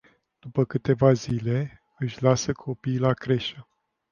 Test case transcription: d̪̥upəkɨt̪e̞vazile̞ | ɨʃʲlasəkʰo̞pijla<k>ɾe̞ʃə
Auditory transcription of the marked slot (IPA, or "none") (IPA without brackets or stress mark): k